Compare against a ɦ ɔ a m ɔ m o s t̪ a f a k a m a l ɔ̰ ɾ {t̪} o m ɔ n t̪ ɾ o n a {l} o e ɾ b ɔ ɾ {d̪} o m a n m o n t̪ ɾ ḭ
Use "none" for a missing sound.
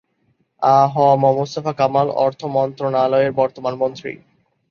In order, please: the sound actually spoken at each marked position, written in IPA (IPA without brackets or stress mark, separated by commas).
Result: t̪ʰ, l, t̪